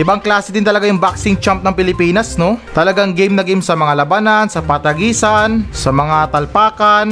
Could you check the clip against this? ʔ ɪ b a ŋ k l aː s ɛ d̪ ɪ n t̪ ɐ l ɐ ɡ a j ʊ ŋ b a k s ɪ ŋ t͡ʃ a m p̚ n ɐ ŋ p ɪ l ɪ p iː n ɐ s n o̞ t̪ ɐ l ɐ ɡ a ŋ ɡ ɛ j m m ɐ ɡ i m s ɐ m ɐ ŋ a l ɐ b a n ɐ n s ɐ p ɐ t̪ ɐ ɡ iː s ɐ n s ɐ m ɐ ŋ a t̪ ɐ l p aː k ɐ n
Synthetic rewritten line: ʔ ɪ b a ŋ k l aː s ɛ d̪ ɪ n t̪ ɐ l ɐ ɡ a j ʊ ŋ b a k s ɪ ŋ t͡ʃ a m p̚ n ɐ ŋ p ɪ l ɪ p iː n ɐ s n o̞ t̪ ɐ l ɐ ɡ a ŋ ɡ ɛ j m n ɐ ɡ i m s ɐ m ɐ ŋ a l ɐ b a n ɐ n s ɐ p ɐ t̪ ɐ ɡ iː s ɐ n s ɐ m ɐ ŋ a t̪ ɐ l p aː k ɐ n